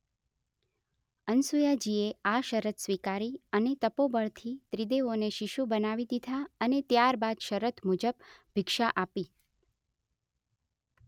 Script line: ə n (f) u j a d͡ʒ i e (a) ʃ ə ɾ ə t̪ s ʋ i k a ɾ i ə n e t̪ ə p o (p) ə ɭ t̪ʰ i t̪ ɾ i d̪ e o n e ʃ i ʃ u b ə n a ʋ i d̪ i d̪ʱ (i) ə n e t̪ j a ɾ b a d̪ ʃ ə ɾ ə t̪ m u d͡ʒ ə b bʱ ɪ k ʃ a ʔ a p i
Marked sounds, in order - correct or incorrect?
incorrect: s, correct, incorrect: b, incorrect: a

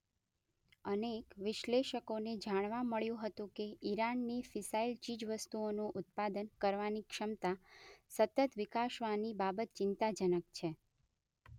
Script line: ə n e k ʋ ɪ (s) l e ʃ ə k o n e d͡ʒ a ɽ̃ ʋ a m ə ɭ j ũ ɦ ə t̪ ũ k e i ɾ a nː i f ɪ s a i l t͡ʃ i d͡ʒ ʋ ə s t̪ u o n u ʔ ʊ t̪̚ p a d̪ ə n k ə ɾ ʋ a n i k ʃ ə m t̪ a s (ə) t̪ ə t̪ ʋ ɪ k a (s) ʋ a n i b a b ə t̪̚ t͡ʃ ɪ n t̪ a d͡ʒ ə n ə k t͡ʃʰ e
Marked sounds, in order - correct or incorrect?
incorrect: ʃ, correct, incorrect: ʃ

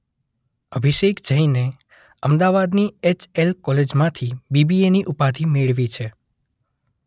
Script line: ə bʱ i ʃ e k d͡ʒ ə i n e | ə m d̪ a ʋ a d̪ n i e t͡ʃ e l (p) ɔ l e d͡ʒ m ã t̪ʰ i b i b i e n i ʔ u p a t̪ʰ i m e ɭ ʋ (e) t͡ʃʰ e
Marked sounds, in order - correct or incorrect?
incorrect: k, incorrect: i

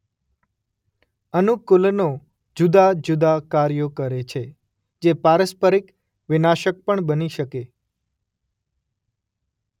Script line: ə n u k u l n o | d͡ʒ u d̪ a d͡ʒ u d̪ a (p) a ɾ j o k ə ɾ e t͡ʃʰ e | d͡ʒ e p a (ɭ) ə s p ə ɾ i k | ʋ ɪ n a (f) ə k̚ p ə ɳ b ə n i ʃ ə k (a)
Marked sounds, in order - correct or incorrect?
incorrect: k, incorrect: ɾ, incorrect: ʃ, incorrect: e

